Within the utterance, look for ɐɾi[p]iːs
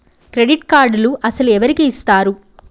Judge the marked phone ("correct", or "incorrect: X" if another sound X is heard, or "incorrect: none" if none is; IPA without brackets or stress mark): incorrect: k